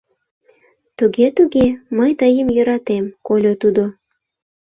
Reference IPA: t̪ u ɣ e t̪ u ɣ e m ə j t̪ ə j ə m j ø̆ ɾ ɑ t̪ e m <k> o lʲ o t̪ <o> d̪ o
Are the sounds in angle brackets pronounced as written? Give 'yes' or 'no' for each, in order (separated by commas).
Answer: yes, no